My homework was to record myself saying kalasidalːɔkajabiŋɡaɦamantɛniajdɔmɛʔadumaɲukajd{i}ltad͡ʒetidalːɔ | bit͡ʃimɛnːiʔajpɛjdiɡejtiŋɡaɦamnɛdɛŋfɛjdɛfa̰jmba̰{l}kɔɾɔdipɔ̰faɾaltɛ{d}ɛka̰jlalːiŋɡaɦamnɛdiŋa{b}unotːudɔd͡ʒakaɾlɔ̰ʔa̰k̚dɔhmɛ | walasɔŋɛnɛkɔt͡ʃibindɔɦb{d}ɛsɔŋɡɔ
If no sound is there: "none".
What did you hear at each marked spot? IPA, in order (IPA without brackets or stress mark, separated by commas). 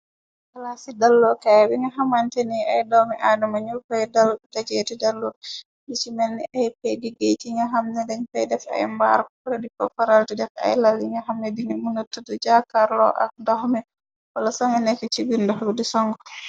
a, ɾ, d, m, d